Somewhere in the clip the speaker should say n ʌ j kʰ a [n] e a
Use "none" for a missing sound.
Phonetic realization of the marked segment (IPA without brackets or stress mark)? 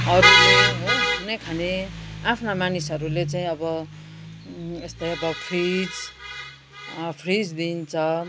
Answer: n